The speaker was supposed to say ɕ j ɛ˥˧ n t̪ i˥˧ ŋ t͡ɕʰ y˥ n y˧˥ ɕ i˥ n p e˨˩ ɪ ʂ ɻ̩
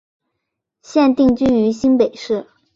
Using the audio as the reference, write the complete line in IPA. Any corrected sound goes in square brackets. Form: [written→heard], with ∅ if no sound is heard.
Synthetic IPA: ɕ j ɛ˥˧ n t̪ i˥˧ ŋ [t͡ɕʰ→t͡ɕ] y˥ n y˧˥ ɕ i˥ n p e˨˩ ɪ ʂ ɻ̩

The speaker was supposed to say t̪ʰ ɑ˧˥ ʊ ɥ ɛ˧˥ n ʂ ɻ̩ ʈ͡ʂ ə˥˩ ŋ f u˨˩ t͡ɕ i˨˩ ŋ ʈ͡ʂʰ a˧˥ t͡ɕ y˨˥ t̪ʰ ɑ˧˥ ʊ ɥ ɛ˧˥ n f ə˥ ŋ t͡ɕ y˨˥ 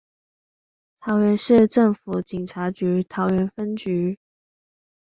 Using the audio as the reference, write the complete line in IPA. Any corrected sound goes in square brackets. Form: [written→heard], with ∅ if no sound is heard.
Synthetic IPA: t̪ʰ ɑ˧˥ ʊ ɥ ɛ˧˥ n ʂ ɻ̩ ʈ͡ʂ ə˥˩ ŋ f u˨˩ t͡ɕ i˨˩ ŋ ʈ͡ʂʰ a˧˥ t͡ɕ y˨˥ t̪ʰ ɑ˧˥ ʊ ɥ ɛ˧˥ n f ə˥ [ŋ→n] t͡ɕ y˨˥

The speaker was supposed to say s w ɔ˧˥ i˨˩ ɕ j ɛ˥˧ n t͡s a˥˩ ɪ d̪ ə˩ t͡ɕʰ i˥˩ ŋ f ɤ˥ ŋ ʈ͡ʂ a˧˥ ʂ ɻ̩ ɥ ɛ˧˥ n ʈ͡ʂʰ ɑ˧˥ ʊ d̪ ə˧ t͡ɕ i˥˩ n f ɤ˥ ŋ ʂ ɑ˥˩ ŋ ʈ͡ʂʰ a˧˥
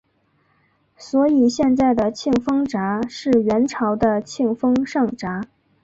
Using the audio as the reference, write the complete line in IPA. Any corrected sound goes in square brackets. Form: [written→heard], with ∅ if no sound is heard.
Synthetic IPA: s w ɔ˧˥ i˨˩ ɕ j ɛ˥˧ n t͡s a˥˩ ɪ d̪ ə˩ t͡ɕʰ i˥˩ ŋ f ɤ˥ ŋ ʈ͡ʂ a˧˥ ʂ ɻ̩ ɥ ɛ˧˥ n ʈ͡ʂʰ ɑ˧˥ ʊ d̪ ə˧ [t͡ɕ→t͡ɕʰ] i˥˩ [n→ŋ] f ɤ˥ ŋ ʂ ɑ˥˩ ŋ [ʈ͡ʂʰ→ʈ͡ʂ] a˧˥

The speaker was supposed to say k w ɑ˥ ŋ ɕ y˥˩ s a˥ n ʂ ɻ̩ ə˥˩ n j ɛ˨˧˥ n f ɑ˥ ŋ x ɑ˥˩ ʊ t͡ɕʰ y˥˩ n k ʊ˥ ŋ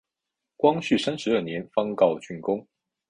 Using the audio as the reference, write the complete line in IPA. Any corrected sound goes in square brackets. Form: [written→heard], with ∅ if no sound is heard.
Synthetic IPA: k w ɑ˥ ŋ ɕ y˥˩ s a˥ n ʂ ɻ̩ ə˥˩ n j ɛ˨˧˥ n f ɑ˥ ŋ [x→k] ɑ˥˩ ʊ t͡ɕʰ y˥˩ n k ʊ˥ ŋ

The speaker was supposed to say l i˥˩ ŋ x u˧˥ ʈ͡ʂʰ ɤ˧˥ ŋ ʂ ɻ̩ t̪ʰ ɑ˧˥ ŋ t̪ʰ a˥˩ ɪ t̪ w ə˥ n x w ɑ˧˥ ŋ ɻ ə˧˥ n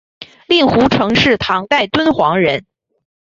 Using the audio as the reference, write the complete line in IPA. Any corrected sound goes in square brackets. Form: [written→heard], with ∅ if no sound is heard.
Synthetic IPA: l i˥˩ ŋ x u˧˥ ʈ͡ʂʰ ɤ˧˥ ŋ ʂ ɻ̩ t̪ʰ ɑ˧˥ ŋ [t̪ʰ→t̪] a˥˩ ɪ t̪ w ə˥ n x w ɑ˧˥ ŋ ɻ ə˧˥ n

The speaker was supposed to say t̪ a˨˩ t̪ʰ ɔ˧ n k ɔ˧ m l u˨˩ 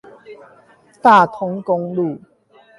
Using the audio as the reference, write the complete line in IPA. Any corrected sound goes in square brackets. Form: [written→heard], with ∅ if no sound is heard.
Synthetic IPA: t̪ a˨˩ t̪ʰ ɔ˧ [n→ŋ] k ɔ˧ [m→ŋ] l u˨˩

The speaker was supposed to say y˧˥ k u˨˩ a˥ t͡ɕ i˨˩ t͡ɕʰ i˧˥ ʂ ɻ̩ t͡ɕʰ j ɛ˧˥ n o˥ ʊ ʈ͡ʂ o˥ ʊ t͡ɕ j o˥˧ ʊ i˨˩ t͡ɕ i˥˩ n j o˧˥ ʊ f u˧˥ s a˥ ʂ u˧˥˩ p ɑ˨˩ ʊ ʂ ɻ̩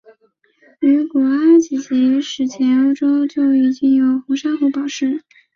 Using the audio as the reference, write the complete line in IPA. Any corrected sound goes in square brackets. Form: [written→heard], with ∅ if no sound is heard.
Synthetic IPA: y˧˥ k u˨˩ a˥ t͡ɕ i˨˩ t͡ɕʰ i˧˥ ʂ ɻ̩ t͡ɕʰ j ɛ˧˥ n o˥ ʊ ʈ͡ʂ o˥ ʊ t͡ɕ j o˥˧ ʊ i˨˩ t͡ɕ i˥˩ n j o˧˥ ʊ [f→x] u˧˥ [s→ʂ] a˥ [ʂ→x] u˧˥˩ p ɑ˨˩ ʊ ʂ ɻ̩

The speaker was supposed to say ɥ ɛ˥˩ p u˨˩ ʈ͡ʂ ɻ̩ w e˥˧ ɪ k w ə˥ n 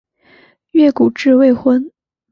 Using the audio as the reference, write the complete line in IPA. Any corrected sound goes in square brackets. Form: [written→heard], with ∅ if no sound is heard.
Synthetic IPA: ɥ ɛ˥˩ [p→k] u˨˩ ʈ͡ʂ ɻ̩ w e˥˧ ɪ [k→x] w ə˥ n

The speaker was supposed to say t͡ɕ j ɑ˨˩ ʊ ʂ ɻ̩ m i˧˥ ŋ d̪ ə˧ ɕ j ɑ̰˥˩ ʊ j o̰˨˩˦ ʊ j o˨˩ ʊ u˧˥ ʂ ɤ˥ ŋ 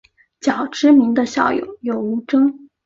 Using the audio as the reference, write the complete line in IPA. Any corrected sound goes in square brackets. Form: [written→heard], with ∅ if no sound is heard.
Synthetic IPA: t͡ɕ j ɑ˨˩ ʊ [ʂ→ʈ͡ʂ] ɻ̩ m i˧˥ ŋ d̪ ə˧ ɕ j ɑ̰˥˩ ʊ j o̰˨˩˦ ʊ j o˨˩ ʊ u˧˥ [ʂ→ʈ͡ʂ] ɤ˥ ŋ

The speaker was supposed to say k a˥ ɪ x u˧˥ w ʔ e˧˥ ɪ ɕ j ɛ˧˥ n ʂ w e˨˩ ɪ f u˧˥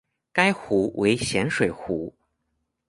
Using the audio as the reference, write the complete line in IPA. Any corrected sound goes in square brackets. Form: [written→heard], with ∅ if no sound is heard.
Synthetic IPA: k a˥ ɪ x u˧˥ w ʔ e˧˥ ɪ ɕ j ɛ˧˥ n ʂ w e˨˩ ɪ [f→x] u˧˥

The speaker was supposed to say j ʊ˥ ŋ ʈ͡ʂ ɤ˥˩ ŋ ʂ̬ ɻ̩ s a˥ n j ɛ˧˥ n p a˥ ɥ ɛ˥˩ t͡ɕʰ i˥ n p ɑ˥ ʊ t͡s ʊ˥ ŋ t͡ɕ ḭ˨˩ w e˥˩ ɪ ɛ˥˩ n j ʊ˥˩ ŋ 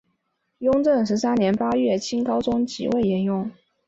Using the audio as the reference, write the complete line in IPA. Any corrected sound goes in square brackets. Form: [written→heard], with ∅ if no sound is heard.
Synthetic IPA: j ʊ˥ ŋ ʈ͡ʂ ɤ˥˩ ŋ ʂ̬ ɻ̩ s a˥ n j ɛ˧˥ n p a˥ ɥ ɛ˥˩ t͡ɕʰ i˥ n [p→k] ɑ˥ ʊ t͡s ʊ˥ ŋ t͡ɕ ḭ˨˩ w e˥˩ ɪ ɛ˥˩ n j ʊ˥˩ ŋ

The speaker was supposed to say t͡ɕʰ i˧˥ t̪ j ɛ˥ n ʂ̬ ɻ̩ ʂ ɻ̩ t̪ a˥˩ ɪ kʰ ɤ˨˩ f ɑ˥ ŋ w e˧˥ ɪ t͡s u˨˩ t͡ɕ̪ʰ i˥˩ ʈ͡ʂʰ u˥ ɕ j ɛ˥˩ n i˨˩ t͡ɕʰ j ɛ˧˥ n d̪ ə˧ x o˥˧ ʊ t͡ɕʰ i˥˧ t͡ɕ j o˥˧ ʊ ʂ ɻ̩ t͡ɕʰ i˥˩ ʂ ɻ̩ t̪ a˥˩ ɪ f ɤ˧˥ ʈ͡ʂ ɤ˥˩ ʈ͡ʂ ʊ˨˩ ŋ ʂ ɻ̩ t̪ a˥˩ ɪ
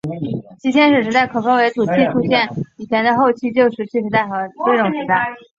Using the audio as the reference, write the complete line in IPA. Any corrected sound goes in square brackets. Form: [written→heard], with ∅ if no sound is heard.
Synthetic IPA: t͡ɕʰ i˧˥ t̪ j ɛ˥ n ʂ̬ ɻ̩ ʂ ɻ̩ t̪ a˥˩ ɪ kʰ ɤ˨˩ f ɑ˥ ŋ w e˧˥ ɪ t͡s u˨˩ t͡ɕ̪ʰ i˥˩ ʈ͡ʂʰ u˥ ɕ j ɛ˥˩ n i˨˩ t͡ɕʰ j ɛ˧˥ n d̪ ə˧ x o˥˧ ʊ t͡ɕʰ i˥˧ t͡ɕ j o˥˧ ʊ ʂ ɻ̩ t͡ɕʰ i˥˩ ʂ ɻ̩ t̪ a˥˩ ɪ [f→x] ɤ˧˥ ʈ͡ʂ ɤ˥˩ ʈ͡ʂ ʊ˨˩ ŋ ʂ ɻ̩ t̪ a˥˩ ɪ

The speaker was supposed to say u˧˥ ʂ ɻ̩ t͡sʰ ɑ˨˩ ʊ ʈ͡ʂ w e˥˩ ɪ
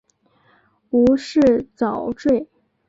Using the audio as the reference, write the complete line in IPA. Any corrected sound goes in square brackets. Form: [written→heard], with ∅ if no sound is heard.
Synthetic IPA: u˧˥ ʂ ɻ̩ [t͡sʰ→t͡s] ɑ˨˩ ʊ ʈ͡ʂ w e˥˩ ɪ

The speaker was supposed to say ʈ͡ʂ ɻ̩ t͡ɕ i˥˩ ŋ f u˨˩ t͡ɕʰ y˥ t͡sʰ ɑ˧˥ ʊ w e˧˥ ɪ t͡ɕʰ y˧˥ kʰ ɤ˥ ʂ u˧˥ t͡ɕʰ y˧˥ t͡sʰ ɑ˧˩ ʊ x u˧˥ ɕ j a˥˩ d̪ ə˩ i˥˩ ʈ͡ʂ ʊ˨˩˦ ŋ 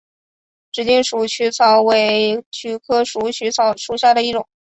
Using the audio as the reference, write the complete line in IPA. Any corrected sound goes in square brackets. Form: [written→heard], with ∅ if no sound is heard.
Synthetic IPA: ʈ͡ʂ ɻ̩ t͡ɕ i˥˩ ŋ [f→ʂ] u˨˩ t͡ɕʰ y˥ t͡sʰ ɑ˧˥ ʊ w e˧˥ ɪ t͡ɕʰ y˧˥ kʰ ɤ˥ ʂ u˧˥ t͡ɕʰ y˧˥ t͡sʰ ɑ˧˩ ʊ [x→ʂ] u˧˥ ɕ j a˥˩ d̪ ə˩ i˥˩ ʈ͡ʂ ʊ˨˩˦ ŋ

